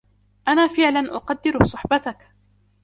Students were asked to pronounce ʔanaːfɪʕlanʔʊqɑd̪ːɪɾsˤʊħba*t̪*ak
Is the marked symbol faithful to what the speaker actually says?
yes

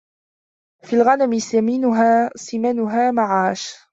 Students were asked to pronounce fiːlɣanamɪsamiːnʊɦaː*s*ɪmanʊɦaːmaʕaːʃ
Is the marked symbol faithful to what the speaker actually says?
yes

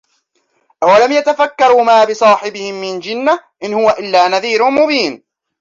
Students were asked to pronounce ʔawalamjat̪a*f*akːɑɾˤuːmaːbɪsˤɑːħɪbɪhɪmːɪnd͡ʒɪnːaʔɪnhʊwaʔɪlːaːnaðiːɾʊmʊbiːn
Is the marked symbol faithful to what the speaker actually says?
yes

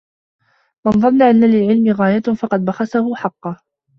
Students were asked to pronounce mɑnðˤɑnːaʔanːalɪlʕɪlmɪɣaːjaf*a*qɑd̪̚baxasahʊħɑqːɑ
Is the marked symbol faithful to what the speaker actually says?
no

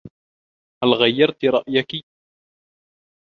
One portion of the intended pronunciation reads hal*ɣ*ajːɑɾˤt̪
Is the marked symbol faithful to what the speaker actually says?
yes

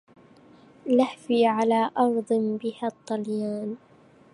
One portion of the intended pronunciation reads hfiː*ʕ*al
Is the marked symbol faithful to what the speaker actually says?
yes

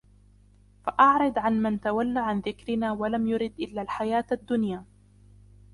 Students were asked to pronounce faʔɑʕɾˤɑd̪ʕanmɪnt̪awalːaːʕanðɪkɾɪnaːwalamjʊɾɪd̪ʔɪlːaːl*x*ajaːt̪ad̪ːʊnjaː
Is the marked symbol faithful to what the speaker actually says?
no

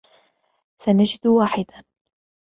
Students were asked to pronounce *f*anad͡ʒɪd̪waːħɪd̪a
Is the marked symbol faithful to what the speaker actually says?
no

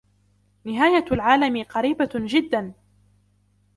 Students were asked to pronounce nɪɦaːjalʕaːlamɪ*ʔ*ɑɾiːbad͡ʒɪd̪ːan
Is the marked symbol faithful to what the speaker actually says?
no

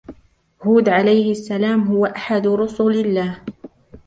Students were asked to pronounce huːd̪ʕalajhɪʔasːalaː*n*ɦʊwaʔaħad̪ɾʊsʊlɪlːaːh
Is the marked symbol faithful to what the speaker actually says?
no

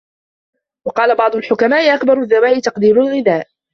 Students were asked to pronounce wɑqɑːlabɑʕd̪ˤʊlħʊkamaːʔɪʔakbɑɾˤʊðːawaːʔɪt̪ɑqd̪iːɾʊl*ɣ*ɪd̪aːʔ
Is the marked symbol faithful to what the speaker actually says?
yes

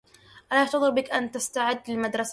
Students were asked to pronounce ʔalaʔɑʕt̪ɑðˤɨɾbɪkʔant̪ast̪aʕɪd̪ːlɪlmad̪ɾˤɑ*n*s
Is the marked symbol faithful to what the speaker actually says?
no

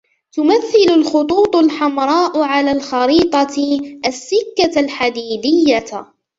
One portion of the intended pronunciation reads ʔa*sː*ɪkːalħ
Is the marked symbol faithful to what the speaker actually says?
yes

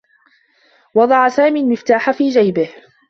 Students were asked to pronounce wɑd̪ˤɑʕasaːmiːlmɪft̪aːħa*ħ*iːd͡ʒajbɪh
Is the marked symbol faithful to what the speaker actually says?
no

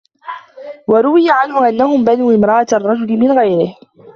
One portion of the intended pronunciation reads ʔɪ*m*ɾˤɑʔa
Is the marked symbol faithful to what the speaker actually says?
yes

